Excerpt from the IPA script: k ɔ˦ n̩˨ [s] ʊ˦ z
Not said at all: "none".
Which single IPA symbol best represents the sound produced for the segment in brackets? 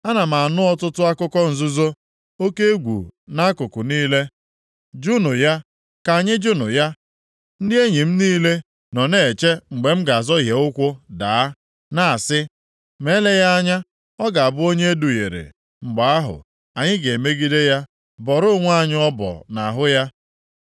z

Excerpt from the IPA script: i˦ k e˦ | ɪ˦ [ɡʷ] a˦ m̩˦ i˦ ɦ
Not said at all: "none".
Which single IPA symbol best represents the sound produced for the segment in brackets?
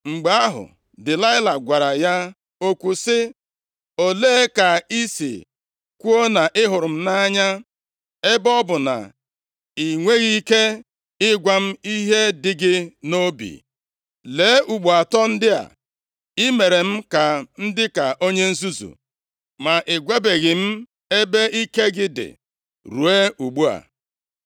ɡʷ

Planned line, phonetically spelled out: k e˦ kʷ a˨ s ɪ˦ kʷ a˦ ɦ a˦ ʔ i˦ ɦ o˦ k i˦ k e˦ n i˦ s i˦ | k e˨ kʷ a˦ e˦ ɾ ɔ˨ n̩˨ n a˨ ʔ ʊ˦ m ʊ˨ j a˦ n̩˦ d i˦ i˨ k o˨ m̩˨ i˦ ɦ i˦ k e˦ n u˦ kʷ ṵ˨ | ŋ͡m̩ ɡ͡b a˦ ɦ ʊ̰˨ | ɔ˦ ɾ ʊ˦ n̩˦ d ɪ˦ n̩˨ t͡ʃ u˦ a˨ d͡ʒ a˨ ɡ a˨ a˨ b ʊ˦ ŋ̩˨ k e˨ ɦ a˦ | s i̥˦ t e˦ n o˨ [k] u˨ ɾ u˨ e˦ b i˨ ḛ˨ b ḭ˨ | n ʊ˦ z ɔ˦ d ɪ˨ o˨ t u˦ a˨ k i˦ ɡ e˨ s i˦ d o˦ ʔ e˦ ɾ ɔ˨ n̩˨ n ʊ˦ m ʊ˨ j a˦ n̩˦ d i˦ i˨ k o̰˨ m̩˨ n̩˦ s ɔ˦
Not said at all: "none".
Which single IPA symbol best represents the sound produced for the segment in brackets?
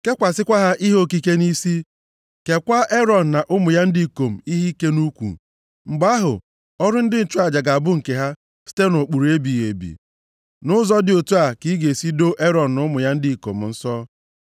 k͡p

